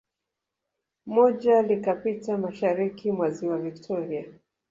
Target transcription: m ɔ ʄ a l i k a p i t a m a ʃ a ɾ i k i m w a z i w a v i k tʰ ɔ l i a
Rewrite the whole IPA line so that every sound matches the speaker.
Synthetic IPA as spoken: m ɔ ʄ a l i k a p i t a m a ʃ a ɾ i k i m w a z i w a v i k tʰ ɔ ɾ i a

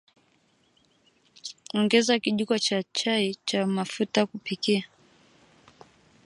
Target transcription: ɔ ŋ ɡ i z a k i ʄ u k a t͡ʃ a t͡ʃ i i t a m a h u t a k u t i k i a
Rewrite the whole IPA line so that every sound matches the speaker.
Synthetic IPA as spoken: ɔ ŋ ɡ ɛ z a k i ʄ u k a t͡ʃ a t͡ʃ a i t͡ʃ a m a f u t a k u p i k i a

